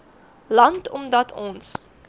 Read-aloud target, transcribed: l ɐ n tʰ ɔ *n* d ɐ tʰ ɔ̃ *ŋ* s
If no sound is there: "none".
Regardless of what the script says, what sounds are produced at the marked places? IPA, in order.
m, n

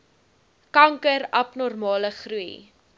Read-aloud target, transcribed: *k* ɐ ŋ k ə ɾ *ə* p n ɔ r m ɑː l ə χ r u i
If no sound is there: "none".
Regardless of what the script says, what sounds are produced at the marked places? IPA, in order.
k, ɐ

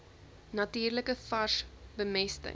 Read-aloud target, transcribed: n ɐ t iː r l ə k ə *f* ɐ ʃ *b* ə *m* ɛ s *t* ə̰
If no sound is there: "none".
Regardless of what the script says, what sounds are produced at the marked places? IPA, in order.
f, b, m, t

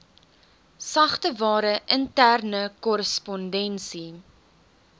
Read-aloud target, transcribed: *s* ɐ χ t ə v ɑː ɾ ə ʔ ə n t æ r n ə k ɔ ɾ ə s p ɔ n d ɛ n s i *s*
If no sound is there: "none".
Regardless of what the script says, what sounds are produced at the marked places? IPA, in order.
s, none

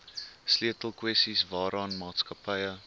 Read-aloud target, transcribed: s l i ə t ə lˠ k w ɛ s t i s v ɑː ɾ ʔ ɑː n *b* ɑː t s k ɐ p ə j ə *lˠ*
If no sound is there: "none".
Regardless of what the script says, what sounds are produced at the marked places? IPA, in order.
m, none

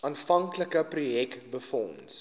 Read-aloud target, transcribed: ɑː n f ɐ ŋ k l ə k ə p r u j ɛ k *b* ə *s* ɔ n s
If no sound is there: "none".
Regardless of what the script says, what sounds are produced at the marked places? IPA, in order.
b, f

